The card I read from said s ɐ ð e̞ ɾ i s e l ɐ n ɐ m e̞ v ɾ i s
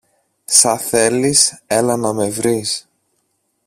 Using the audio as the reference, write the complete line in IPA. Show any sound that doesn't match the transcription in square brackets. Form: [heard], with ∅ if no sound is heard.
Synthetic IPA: s ɐ [θ] e̞ [l] i s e l ɐ n ɐ m e̞ v ɾ i s